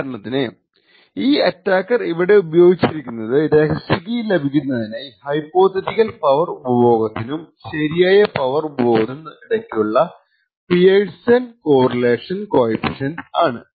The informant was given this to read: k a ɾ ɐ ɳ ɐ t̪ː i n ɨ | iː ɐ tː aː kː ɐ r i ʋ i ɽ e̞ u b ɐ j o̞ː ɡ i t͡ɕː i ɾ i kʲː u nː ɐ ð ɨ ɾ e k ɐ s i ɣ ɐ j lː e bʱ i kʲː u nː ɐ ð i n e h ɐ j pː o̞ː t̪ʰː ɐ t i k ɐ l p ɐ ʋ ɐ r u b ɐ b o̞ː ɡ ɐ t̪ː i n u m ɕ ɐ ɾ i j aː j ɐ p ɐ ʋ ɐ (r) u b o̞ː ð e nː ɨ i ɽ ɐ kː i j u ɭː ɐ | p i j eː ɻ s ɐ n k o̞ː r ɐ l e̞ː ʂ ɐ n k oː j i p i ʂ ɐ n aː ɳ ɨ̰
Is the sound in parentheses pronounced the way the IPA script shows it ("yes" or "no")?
yes